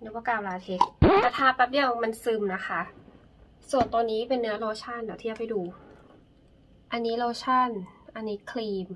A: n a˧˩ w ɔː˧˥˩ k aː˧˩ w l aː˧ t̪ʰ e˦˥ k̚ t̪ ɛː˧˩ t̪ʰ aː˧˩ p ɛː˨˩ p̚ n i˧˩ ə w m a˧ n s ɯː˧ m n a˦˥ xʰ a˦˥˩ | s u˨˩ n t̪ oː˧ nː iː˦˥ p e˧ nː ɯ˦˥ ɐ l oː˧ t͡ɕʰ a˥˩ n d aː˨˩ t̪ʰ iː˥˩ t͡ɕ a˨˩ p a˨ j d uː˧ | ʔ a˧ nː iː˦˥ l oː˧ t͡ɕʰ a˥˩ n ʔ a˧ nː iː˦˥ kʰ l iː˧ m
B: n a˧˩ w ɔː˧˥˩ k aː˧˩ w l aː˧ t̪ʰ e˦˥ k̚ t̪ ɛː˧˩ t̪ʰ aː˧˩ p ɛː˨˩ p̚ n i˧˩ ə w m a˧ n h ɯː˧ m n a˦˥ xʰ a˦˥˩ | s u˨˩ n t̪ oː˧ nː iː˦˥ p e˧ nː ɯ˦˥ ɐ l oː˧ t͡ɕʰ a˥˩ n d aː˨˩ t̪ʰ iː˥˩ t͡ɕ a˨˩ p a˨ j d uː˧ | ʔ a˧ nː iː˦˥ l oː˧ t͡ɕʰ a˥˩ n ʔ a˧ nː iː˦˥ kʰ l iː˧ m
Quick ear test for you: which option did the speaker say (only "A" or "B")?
A